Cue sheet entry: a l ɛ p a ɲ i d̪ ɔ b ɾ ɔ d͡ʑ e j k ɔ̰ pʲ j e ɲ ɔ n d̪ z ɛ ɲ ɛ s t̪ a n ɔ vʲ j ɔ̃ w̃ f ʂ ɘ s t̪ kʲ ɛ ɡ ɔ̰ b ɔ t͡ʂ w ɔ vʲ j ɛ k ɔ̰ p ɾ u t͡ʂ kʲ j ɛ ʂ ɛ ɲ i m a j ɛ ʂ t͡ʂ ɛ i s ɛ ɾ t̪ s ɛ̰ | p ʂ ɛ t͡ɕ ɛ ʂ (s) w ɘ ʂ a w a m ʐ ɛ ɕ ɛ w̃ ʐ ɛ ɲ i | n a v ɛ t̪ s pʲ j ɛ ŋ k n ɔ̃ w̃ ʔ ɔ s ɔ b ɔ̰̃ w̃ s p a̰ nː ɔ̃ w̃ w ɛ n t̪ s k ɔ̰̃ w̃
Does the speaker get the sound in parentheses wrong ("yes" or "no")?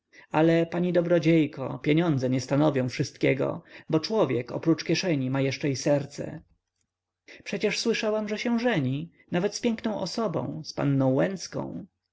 no